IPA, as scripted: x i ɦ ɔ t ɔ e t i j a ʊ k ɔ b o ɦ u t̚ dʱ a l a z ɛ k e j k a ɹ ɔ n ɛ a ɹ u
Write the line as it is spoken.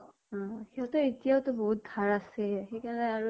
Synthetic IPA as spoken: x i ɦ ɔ t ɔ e t i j a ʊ t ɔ b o ɦ u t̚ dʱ a ɹ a s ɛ x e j k a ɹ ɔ n ɛ a ɹ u